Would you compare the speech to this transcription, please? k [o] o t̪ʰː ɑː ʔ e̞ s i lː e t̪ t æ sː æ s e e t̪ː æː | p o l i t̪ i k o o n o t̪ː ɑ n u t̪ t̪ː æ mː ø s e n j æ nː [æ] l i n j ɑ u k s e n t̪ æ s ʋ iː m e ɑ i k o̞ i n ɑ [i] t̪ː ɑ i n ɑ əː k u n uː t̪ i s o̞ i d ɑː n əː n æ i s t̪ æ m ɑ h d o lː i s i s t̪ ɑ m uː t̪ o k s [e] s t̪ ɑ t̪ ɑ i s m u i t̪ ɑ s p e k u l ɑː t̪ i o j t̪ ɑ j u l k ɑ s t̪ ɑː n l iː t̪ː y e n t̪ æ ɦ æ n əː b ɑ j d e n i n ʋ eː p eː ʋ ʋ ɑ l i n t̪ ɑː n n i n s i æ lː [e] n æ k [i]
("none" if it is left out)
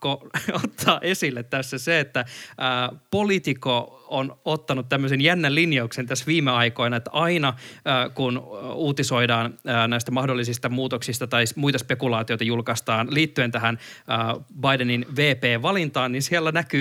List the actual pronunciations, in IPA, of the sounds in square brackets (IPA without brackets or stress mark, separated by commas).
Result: o, æ, e, i, æ, y